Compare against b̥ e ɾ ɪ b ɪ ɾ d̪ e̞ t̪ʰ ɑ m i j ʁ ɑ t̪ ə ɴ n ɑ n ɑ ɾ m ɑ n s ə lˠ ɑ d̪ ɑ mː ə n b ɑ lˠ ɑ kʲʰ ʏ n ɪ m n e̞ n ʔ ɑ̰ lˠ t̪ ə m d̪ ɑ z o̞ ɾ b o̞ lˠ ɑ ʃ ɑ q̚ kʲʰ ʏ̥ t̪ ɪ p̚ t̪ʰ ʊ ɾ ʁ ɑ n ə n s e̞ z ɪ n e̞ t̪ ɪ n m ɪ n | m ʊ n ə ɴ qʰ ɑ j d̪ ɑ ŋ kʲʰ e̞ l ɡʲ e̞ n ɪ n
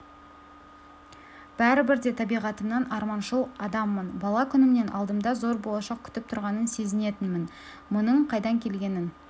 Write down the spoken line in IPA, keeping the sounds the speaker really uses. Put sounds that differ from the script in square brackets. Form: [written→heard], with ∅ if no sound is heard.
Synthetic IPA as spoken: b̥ [e→æ] ɾ ɪ b ɪ ɾ d̪ e̞ t̪ʰ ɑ [m→b] i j ʁ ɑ t̪ ə [ɴ→m] n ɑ n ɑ ɾ m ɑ n [s→ʃ] ə lˠ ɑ d̪ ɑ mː ə n b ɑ lˠ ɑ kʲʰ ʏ n ɪ m n e̞ n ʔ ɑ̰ lˠ [t̪→d̪] ə m d̪ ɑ z o̞ ɾ b o̞ lˠ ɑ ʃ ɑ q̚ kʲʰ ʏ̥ t̪ ɪ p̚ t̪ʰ ʊ ɾ ʁ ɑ n ə n s e̞ z ɪ n e̞ t̪ ɪ n m ɪ n | m ʊ n ə ɴ qʰ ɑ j d̪ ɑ ŋ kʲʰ e̞ l ɡʲ e̞ n ɪ n

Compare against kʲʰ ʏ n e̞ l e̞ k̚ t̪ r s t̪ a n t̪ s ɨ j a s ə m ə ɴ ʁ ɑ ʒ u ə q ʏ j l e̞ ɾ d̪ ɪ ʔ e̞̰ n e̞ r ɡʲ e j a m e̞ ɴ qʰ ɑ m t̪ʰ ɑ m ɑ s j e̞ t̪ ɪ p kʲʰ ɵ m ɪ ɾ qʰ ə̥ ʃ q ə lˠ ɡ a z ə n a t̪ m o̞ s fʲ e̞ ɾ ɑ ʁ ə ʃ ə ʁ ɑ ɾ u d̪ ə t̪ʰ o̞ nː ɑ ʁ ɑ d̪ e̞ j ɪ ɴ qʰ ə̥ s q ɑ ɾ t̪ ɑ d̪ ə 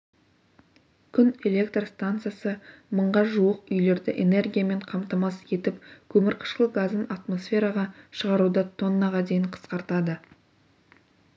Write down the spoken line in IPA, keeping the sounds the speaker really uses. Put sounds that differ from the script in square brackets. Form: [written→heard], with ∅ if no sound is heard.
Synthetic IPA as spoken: kʲʰ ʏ n e̞ l e̞ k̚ t̪ r s t̪ a n t̪ s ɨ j a s ə m ə ɴ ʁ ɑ ʒ u ə q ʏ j l e̞ ɾ d̪ ɪ ʔ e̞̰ n e̞ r ɡʲ [e→i] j a m e̞ ɴ qʰ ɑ m [t̪ʰ→t̪] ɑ m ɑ s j e̞ t̪ ɪ p kʲʰ ɵ m ɪ ɾ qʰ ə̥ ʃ q ə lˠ ɡ a z ə n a t̪ m o̞ s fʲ e̞ ɾ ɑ ʁ [ə→ɑ] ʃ ə ʁ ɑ ɾ u d̪ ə t̪ʰ o̞ nː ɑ ʁ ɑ d̪ e̞ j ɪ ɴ qʰ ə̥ s q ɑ ɾ t̪ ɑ d̪ ə

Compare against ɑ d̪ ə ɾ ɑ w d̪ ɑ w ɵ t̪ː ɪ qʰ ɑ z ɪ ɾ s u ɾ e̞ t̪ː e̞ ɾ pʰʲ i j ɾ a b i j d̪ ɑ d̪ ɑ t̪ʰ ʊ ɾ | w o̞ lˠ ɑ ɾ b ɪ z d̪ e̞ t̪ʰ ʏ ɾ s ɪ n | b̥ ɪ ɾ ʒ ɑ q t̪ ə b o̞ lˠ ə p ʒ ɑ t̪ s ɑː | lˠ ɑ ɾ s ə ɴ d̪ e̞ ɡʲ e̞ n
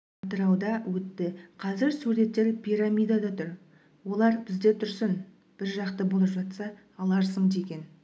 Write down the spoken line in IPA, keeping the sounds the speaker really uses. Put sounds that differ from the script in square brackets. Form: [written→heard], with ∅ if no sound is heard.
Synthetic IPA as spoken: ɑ [d̪→t̪] ə ɾ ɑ w d̪ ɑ w ɵ t̪ː ɪ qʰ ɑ z ɪ ɾ s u ɾ e̞ t̪ː e̞ ɾ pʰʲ i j ɾ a [b→m] i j d̪ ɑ d̪ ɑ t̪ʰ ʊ ɾ | w o̞ lˠ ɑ ɾ b ɪ z d̪ e̞ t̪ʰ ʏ ɾ s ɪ n | b̥ ɪ ɾ ʒ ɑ q t̪ ə b o̞ lˠ ə p ʒ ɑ t̪ s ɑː | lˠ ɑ ɾ s ə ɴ d̪ e̞ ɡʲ e̞ n

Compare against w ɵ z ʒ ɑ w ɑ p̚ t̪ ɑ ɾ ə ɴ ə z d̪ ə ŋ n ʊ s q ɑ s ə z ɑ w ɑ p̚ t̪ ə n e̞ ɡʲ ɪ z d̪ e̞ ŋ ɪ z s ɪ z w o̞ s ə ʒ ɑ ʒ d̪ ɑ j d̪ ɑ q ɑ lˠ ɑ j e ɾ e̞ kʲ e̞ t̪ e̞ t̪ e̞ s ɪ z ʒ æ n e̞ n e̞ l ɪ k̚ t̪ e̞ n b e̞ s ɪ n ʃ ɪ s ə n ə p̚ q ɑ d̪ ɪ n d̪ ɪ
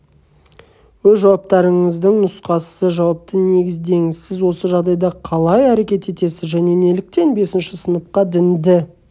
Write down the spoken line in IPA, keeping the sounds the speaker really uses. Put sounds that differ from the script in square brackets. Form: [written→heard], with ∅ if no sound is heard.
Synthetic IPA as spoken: w ɵ z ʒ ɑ w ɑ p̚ t̪ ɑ ɾ ə ɴ ə z d̪ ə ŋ n ʊ s q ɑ s ə [z→ʒ] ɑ w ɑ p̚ t̪ ə n e̞ ɡʲ ɪ z d̪ e̞ ŋ ɪ z s ɪ z w o̞ s ə ʒ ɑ [ʒ→ʁ] d̪ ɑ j d̪ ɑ [q→qʰ] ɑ lˠ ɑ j [e→æ] ɾ e̞ kʲ e̞ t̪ e̞ t̪ e̞ s ɪ z ʒ æ n e̞ n e̞ l ɪ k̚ t̪ e̞ n b e̞ s ɪ n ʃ ɪ s ə n ə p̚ q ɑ d̪ ɪ n d̪ ɪ

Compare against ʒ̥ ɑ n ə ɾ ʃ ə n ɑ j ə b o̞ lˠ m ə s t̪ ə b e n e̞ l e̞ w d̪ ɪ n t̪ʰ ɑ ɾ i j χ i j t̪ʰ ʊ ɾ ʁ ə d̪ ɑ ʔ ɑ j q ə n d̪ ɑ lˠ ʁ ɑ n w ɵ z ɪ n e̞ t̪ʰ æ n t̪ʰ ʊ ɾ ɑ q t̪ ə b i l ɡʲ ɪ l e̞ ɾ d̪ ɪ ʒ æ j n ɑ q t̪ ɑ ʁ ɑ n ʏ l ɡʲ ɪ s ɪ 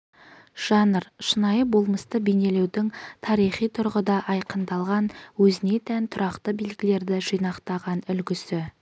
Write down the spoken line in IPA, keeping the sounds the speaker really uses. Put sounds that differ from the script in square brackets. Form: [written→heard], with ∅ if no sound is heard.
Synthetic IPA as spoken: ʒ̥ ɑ n ə ɾ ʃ ə n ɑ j ə b o̞ lˠ m ə s t̪ ə b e n e̞ l e̞ w d̪ ɪ [n→ŋ] t̪ʰ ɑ ɾ i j χ i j t̪ʰ ʊ ɾ ʁ ə d̪ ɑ ʔ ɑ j q ə n d̪ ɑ lˠ ʁ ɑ n w ɵ z ɪ n e̞ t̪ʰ æ n t̪ʰ ʊ ɾ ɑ q t̪ ə b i l ɡʲ ɪ l e̞ ɾ d̪ ɪ ʒ [æ→i] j n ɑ q t̪ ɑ ʁ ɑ n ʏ l ɡʲ ɪ s ɪ

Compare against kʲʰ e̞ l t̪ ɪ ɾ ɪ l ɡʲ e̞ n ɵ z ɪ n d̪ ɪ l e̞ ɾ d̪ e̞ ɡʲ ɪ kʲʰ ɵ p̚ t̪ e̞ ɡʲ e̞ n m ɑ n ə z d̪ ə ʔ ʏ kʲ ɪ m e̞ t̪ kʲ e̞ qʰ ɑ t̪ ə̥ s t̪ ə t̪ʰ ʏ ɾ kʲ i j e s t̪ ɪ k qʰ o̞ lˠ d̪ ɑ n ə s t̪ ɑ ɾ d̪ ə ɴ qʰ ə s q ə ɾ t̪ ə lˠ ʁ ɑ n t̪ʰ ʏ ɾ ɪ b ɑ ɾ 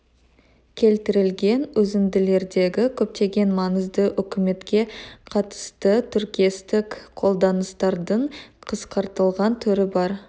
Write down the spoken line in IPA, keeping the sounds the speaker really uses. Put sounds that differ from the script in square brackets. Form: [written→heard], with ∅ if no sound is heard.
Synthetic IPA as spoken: kʲʰ e̞ l t̪ ɪ ɾ ɪ l ɡʲ e̞ n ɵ z ɪ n d̪ ɪ l e̞ ɾ d̪ e̞ ɡʲ ɪ kʲʰ ɵ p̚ t̪ e̞ ɡʲ e̞ n m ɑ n ə z d̪ ə ʔ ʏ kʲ ɪ m e̞ t̪ kʲ e̞ qʰ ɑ t̪ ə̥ s t̪ ə t̪ʰ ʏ ɾ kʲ i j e s t̪ ɪ k qʰ o̞ lˠ d̪ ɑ n ə s t̪ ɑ ɾ d̪ ə ɴ qʰ ə s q [ə→ɑ] ɾ t̪ ə lˠ ʁ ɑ n t̪ʰ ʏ ɾ ɪ b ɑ ɾ

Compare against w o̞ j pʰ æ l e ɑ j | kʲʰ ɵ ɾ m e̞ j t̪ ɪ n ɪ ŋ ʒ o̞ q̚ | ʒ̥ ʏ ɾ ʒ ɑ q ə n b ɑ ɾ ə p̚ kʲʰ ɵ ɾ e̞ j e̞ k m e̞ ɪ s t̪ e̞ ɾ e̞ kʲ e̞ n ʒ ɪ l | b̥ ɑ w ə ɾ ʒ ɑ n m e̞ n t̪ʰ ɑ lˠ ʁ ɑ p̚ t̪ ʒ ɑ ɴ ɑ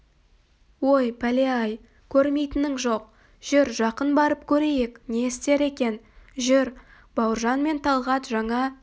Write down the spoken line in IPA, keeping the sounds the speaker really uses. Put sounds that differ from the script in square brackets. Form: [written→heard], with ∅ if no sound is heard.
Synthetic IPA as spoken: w o̞ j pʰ æ l e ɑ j | kʲʰ ɵ ɾ m e̞ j t̪ ɪ n ɪ ŋ ʒ o̞ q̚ | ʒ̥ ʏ ɾ ʒ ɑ q ə n b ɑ ɾ ə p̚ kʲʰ ɵ ɾ e̞ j e̞ k [m→n] e̞ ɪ s t̪ e̞ ɾ e̞ kʲ e̞ n ʒ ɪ [l→ɾ] | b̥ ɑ w ə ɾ ʒ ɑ n m e̞ n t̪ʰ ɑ lˠ ʁ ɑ [p̚→∅] t̪ ʒ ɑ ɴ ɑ

